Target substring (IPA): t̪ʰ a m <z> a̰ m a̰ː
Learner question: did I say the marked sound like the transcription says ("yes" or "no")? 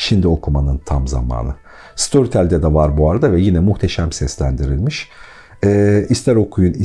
yes